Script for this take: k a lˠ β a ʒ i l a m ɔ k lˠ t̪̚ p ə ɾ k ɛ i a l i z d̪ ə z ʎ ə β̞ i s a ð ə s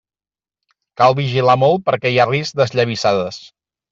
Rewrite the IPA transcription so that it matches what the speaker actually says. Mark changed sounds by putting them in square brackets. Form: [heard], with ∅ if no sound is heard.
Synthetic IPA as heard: k a lˠ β [i] ʒ i l a m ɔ [∅] lˠ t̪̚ p ə ɾ k ɛ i a [r] i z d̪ ə z ʎ ə β̞ i s a ð ə s